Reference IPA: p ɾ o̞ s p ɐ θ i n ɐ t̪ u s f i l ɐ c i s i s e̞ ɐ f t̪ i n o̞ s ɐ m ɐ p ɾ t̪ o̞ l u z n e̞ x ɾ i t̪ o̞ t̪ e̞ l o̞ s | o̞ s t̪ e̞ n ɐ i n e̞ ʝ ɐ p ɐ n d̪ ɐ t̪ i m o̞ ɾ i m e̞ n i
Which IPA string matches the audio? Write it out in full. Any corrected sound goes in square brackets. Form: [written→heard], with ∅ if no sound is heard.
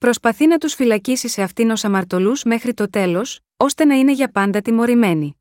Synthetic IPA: p ɾ o̞ s p ɐ θ i n ɐ t̪ u s f i l ɐ c i s i s e̞ ɐ f t̪ i n o̞ s ɐ m ɐ [p→∅] ɾ t̪ o̞ l u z [n→m] e̞ x ɾ i t̪ o̞ t̪ e̞ l o̞ s | o̞ s t̪ e̞ n ɐ i n e̞ ʝ ɐ p ɐ n d̪ ɐ t̪ i m o̞ ɾ i m e̞ n i